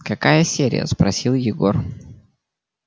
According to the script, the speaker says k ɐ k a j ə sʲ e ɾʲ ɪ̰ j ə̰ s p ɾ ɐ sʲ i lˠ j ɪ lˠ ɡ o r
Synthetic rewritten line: k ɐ k a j ə sʲ e ɾʲ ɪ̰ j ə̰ s p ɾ ɐ sʲ i lˠ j ɪ ɡ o r

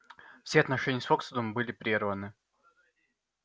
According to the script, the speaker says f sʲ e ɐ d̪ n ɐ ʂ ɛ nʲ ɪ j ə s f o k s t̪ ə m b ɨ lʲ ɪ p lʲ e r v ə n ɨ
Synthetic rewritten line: f sʲ e ɐ t̪ n ɐ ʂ ɛ nʲ ɪ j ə s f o k s d̪ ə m b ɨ lʲ ɪ p ɾʲ e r v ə n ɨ

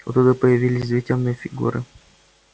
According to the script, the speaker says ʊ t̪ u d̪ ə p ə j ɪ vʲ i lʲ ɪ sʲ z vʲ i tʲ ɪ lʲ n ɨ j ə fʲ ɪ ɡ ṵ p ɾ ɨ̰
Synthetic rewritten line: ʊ t̪ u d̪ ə p ə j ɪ vʲ i lʲ ɪ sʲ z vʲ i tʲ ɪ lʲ n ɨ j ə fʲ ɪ ɡ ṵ ɾ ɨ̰

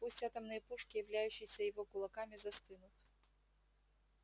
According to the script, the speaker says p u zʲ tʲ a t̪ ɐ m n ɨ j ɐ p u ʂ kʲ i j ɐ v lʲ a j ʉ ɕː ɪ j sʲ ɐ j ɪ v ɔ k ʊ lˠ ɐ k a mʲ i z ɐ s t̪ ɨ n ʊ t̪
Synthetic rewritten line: p u sʲ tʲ a t̪ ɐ m n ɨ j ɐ p u ʂ kʲ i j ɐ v lʲ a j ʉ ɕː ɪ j sʲ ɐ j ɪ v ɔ k ʊ lˠ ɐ k a mʲ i z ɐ s t̪ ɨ n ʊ t̪

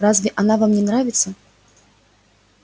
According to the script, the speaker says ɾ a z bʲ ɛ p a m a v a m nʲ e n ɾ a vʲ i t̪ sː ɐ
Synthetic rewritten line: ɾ a z vʲ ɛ ʔ a n a v a m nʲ ɛ n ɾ a vʲ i t̪ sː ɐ

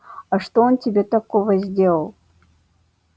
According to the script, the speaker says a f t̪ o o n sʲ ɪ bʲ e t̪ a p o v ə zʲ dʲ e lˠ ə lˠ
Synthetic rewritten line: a ʂ t̪ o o n tʲ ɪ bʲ e t̪ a k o v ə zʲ dʲ e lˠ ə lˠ

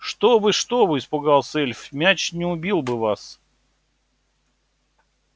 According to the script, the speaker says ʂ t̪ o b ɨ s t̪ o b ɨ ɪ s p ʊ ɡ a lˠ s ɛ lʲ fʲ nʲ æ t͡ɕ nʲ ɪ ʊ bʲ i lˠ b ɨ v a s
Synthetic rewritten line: ʂ t̪ o b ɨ ʂ t̪ o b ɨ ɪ s p ʊ ɡ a lˠ s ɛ lʲ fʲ mʲ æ t͡ɕ nʲ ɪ ʊ bʲ i lˠ b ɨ v a s

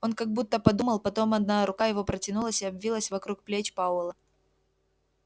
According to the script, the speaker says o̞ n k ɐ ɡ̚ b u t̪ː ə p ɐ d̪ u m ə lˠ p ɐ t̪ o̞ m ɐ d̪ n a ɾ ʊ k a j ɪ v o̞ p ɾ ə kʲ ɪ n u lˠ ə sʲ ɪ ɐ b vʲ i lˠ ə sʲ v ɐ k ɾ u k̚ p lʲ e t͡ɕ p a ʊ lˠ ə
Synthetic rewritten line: o̞ n k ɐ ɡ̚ b u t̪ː ə p ɐ d̪ u m ə lˠ p ɐ t̪ o̞ m ɐ d̪ n a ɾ ʊ k a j ɪ v o̞ p ɾ ə tʲ ɪ n u lˠ ə sʲ ɪ ɐ b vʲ i lˠ ə sʲ v ɐ k ɾ u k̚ p lʲ e t͡ɕ p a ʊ lˠ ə

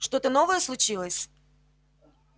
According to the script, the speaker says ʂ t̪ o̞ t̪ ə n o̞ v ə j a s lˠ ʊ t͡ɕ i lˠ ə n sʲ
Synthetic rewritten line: ʂ t̪ o̞ t̪ ə n o̞ v ə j ə s lˠ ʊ t͡ɕ i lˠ ə sʲ

